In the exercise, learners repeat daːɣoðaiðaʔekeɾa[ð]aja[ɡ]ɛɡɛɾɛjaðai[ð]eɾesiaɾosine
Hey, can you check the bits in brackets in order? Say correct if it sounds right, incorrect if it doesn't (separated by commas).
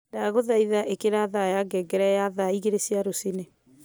correct, correct, incorrect